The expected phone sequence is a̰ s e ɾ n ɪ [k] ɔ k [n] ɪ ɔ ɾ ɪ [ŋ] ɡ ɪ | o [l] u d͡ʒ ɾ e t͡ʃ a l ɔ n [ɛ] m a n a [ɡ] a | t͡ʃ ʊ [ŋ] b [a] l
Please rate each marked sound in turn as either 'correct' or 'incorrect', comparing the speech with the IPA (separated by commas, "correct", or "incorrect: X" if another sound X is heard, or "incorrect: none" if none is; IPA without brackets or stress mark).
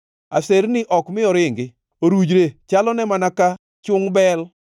incorrect: ʔ, incorrect: m, correct, incorrect: ɾ, correct, incorrect: k, correct, incorrect: ɛ